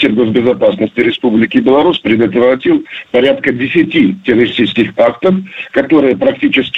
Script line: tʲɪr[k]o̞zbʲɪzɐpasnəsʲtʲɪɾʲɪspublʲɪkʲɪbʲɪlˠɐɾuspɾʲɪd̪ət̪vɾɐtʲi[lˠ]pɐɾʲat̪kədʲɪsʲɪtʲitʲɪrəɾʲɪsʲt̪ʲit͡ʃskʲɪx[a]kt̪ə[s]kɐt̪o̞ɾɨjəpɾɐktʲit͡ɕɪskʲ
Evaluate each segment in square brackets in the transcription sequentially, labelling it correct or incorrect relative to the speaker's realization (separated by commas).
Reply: incorrect, correct, correct, incorrect